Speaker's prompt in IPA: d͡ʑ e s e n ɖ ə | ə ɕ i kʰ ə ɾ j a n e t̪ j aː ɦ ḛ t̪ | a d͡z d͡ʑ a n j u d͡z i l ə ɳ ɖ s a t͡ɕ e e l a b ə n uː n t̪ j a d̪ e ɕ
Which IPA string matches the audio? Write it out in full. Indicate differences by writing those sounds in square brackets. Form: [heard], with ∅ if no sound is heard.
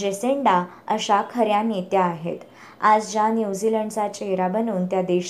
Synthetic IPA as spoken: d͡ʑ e s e [ɳ] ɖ [a] | ə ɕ [a] kʰ ə ɾ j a n e t̪ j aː ɦ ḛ t̪ | a d͡z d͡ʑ a n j u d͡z i l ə ɳ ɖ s a t͡ɕ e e [ɾ] a b ə n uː n t̪ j a d̪ e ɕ